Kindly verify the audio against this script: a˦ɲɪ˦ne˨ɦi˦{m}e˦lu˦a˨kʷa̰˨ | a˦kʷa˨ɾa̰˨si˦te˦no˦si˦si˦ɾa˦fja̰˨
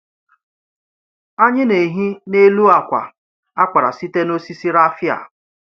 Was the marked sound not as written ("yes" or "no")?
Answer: yes